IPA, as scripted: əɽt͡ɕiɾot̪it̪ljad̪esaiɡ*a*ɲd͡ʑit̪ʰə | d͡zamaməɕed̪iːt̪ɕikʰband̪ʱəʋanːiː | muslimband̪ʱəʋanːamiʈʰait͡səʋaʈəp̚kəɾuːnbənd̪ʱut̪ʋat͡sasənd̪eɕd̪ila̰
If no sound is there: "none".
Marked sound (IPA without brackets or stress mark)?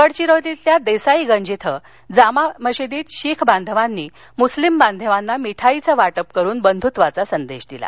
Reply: ə